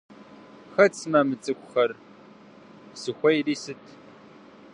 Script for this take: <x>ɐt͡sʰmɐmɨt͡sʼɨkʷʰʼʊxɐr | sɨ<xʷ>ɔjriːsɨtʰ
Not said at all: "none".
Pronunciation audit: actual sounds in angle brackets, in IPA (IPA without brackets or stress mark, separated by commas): x, xʷ